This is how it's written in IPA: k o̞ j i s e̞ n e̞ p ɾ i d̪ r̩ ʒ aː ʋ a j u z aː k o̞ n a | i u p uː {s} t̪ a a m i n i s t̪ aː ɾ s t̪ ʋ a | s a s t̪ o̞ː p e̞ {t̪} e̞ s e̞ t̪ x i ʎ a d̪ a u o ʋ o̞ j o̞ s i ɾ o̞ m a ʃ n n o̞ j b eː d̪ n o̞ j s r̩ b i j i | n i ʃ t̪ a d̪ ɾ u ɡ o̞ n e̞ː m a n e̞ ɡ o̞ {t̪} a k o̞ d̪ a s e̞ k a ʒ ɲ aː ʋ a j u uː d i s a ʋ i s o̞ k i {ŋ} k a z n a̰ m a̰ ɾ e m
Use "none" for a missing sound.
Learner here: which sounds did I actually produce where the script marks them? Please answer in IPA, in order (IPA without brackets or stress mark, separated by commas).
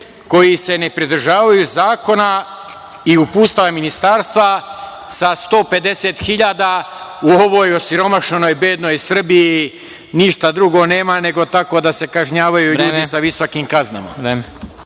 s, d̪, t̪, m